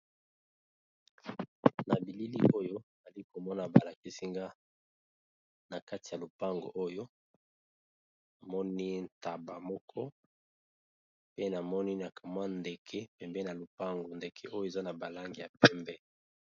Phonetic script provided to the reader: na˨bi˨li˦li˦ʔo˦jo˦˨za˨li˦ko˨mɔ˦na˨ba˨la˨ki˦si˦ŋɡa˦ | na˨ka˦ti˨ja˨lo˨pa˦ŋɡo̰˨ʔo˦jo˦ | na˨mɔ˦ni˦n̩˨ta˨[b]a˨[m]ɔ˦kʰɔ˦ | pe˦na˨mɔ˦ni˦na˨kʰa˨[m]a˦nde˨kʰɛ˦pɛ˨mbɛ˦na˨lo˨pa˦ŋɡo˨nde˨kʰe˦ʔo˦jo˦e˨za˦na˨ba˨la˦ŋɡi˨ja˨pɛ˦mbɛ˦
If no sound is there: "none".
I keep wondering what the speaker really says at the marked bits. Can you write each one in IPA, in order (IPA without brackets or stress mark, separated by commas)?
b, m, m